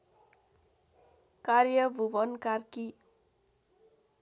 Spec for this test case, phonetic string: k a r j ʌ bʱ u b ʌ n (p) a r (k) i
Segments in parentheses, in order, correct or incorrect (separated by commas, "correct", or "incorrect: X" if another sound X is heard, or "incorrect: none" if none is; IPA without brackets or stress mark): incorrect: k, correct